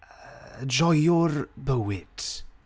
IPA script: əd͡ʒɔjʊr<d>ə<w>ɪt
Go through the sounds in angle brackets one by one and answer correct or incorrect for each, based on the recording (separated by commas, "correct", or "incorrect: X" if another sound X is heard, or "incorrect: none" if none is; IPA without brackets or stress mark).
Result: incorrect: b, correct